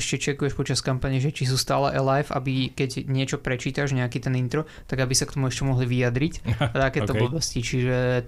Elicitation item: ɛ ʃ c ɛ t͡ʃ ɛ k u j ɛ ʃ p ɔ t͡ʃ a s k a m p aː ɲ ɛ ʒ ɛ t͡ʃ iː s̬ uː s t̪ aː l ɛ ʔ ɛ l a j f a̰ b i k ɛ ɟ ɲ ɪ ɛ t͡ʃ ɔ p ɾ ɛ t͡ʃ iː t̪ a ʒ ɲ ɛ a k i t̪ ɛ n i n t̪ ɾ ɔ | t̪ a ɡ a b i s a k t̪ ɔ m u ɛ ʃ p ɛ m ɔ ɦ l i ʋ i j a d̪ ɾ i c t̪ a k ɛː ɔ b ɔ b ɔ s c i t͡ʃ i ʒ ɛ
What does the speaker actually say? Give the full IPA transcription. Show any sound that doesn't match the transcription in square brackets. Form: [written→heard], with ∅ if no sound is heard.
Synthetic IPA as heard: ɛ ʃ c ɛ t͡ʃ ɛ k u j ɛ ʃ p ɔ t͡ʃ a s k a m p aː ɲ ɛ ʒ ɛ t͡ʃ [iː→i] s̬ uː s t̪ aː l ɛ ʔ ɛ l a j f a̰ b i k ɛ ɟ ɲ ɪ ɛ t͡ʃ ɔ p ɾ ɛ t͡ʃ iː t̪ a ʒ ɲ ɛ a k i t̪ ɛ n i n t̪ ɾ ɔ | t̪ a ɡ a b i s a k t̪ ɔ m u ɛ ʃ [p→c] ɛ m ɔ ɦ l i ʋ i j a d̪ ɾ i c t̪ a k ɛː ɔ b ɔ b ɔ s c i t͡ʃ i ʒ ɛ